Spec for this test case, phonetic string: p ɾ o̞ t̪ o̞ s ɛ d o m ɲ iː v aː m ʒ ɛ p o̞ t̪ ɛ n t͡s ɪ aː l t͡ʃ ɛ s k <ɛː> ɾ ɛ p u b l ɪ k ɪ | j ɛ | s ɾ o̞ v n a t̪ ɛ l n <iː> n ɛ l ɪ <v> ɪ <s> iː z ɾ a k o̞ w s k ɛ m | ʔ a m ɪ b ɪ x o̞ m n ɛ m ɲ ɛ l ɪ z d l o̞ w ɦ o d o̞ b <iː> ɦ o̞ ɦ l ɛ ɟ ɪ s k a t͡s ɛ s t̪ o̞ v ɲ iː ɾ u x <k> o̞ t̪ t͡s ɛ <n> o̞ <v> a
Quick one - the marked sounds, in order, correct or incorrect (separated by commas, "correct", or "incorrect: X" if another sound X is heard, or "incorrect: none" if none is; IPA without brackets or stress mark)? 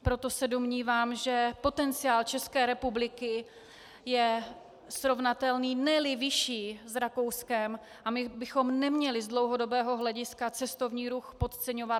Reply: correct, correct, correct, incorrect: ʃ, incorrect: ɛː, incorrect: p, incorrect: ɲ, correct